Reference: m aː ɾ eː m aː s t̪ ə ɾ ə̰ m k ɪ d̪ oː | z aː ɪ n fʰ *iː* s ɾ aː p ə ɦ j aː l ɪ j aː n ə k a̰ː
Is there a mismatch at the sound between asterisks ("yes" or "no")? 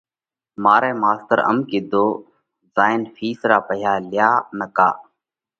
no